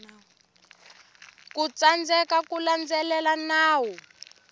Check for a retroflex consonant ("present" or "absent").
absent